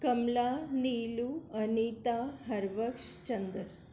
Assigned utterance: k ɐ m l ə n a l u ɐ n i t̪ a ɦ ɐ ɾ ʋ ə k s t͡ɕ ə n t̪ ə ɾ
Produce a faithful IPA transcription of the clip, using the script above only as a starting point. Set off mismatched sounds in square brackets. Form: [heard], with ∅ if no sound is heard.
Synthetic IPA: k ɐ m l [a] n [i] l u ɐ n i t̪ a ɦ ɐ ɾ ʋ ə k [ʂ] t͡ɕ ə n [d̪] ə ɾ

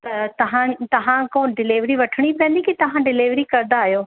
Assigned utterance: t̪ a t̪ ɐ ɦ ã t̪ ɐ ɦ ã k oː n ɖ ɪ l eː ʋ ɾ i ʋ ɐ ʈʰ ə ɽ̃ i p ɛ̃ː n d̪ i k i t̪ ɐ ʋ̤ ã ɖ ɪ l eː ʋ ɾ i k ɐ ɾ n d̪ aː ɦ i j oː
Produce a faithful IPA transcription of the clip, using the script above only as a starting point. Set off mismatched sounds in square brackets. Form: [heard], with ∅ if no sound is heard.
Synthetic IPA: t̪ [ɐ] t̪ ɐ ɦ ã t̪ ɐ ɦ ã k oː n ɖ ɪ l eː ʋ ɾ i ʋ ɐ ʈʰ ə ɽ̃ i p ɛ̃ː n d̪ i k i t̪ ɐ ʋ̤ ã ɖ ɪ l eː ʋ ɾ i k ɐ ɾ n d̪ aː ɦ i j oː

